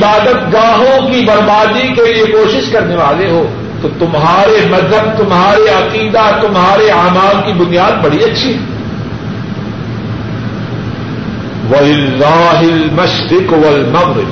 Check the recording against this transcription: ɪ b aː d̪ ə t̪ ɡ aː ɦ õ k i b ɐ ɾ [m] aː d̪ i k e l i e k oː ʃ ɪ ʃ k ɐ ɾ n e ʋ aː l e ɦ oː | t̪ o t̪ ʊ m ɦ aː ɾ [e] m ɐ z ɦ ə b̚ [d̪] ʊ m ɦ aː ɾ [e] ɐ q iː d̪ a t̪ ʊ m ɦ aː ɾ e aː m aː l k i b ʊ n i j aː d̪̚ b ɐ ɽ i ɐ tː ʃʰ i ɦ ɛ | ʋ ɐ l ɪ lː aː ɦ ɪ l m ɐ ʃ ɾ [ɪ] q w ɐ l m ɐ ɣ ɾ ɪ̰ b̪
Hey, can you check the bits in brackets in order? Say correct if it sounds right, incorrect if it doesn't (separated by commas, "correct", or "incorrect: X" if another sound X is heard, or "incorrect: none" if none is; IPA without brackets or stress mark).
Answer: incorrect: b, correct, incorrect: t̪, correct, correct